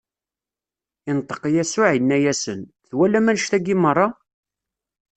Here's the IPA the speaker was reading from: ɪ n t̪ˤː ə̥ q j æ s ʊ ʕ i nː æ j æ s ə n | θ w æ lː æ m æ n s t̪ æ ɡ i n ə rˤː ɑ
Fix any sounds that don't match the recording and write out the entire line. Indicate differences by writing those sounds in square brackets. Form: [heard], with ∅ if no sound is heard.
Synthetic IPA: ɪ n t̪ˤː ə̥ q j æ s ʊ ʕ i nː æ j æ s ə n | θ w æ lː æ m æ n [ʃ] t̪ æ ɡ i [m] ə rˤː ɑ